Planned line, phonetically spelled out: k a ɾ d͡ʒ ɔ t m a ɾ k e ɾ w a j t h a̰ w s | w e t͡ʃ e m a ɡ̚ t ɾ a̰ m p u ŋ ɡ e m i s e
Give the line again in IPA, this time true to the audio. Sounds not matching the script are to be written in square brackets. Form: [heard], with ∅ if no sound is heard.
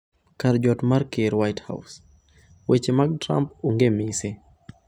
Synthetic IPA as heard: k a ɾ d͡ʒ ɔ t m a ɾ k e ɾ w a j t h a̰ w s | w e t͡ʃ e m a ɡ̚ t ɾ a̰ m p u ŋ ɡ e m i s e